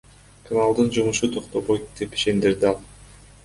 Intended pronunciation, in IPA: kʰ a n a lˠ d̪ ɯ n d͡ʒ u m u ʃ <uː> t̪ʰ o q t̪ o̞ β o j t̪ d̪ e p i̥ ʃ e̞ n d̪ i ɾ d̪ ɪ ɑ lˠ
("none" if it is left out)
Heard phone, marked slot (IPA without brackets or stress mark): u